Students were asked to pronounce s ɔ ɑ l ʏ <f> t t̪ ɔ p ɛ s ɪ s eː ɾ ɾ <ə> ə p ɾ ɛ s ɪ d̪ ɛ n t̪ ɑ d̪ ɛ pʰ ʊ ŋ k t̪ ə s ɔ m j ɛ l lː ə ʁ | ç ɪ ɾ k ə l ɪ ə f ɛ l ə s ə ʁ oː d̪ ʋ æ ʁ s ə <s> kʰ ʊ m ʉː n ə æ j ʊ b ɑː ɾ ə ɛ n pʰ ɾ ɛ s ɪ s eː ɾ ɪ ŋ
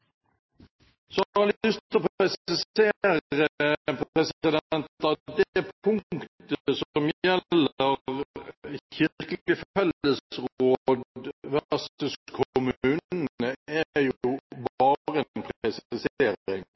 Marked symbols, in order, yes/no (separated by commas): no, yes, yes